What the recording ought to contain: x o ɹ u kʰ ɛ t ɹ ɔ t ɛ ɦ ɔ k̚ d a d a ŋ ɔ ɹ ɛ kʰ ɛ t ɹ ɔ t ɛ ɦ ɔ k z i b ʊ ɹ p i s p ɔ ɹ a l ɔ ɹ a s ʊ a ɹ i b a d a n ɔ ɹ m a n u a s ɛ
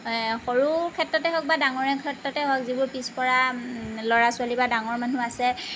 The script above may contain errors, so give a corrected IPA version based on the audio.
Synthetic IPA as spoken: x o ɹ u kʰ ɛ t ɹ ɔ t ɛ ɦ ɔ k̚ b a d a ŋ ɔ ɹ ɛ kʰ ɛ t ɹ ɔ t ɛ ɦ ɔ k z i b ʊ ɹ p i s p ɔ ɹ a l ɔ ɹ a s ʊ a l i b a d a ŋ ɔ ɹ m a n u a s ɛ

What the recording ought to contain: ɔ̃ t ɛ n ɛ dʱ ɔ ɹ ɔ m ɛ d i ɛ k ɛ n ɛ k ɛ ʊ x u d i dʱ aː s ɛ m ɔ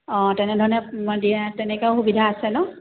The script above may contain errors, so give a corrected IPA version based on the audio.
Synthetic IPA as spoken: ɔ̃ t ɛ n ɛ dʱ ɔ ɹ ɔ n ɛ d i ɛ t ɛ n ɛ k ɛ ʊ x u b i dʱ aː s ɛ n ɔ

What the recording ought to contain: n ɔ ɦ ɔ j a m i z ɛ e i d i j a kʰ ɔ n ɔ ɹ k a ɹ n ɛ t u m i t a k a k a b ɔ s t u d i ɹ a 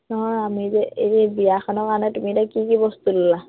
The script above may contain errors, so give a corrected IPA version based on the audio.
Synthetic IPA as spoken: n ɔ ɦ ɔ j a m i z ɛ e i b i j a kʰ ɔ n ɔ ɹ k a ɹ n ɛ t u m i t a k i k i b ɔ s t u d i l a

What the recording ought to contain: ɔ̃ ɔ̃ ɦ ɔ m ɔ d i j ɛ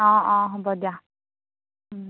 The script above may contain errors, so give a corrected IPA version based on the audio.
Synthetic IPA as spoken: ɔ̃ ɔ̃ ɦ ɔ b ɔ d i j a

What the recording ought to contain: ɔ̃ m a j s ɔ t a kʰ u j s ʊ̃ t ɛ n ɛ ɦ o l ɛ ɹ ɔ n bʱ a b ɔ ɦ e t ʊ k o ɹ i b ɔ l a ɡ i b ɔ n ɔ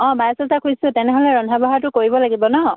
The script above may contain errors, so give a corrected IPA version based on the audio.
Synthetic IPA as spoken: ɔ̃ m a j s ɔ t a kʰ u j s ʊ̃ t ɛ n ɛ ɦ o l ɛ ɹ ɔ n dʱ a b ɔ ɦ a t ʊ k o ɹ i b ɔ l a ɡ i b ɔ n ɔ

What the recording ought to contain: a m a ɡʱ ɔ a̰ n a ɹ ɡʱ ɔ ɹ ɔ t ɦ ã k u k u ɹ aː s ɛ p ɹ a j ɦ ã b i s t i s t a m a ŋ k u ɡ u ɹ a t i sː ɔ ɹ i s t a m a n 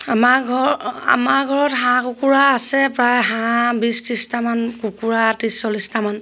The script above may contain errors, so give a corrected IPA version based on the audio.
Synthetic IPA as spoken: a m a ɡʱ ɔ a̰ m a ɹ ɡʱ ɔ ɹ ɔ t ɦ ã k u k u ɹ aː s ɛ p ɹ a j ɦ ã b i s t i s t a m a n k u k u ɹ a t i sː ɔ l i s t a m a n

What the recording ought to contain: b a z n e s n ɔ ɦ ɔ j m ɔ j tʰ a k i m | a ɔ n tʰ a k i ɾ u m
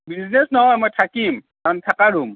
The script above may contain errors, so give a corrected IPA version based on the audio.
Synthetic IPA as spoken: b i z n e s n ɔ ɦ ɔ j m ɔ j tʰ a k i m | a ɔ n tʰ a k a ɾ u m

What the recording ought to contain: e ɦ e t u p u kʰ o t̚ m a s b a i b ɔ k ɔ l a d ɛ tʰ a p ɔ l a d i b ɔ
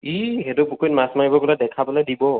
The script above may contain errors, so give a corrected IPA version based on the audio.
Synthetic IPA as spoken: i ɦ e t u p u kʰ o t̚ m a s m a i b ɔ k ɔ l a d ɛ kʰ a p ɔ l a d i b ɔ

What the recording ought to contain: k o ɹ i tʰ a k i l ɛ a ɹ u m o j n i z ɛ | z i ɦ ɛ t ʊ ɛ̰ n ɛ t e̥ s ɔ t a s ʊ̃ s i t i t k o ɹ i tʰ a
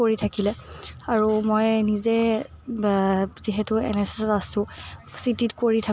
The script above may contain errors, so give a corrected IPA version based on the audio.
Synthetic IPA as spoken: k o ɹ i tʰ a k i l ɛ a ɹ u m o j n i z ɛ | z i ɦ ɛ t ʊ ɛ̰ n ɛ s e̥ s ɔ t a s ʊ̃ s i t i t k o ɹ i tʰ a

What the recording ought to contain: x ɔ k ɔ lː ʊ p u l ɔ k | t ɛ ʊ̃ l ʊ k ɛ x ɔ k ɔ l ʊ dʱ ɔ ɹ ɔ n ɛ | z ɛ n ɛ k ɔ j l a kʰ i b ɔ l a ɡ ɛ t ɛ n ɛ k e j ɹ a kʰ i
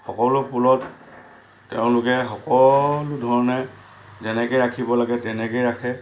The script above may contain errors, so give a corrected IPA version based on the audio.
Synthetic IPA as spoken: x ɔ k ɔ l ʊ p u l ɔ t | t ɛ ʊ̃ l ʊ k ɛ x ɔ k ɔ l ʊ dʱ ɔ ɹ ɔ n ɛ | z ɛ n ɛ k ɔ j ɹ a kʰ i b ɔ l a ɡ ɛ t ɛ n ɛ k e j ɹ a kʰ ɛ

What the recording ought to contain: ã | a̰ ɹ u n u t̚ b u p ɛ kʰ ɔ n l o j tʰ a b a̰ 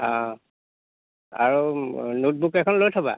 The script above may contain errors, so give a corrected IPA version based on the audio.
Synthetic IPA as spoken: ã | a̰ ɹ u n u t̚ b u k ɛ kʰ ɔ n l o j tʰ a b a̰

